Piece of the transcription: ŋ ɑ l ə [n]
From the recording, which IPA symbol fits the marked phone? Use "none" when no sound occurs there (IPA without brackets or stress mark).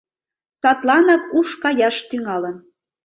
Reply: n